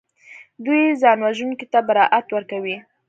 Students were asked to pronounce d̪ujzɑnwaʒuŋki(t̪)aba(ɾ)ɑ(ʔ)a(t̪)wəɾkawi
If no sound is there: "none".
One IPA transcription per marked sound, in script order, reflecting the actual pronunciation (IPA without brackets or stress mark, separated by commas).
t̪, ɾ, ʔ, t̪